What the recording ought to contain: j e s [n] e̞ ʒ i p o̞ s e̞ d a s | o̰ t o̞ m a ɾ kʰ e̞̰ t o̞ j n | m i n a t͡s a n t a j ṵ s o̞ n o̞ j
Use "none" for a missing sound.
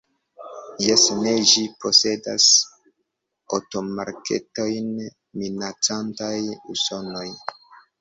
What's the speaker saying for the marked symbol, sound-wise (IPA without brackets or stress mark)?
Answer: n